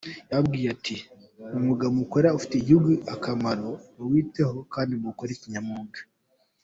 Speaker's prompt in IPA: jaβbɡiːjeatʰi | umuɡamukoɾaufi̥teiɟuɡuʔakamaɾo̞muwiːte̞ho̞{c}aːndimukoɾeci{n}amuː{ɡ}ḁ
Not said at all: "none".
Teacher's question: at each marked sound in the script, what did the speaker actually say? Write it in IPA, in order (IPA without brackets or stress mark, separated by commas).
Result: k, ɲ, ɡ